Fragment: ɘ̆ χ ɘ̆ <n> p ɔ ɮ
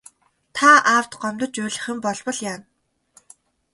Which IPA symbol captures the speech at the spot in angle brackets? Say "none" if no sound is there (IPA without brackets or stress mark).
m